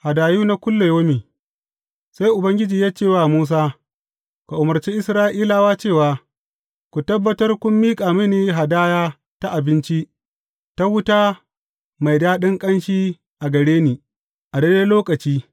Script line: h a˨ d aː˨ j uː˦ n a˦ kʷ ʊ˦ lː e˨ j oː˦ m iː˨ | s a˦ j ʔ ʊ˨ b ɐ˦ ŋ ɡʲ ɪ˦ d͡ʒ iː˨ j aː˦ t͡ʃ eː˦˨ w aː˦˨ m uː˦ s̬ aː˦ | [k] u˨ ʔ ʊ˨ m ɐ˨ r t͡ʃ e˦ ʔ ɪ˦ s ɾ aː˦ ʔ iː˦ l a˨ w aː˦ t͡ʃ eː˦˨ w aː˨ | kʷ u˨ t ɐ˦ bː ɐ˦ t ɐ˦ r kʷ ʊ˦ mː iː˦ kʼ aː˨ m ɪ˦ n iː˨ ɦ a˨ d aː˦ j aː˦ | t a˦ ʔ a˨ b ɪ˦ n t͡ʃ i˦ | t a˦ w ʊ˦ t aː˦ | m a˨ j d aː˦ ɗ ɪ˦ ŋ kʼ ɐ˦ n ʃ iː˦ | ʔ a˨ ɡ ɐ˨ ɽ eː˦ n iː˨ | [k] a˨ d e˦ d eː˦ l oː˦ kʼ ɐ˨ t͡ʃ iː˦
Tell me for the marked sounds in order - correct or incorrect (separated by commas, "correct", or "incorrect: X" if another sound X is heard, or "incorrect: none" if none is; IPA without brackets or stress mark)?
correct, incorrect: ʔ